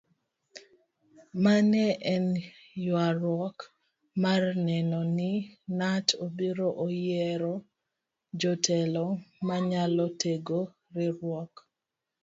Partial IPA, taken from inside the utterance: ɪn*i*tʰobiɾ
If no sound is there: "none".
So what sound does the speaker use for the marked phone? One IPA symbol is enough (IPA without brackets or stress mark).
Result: a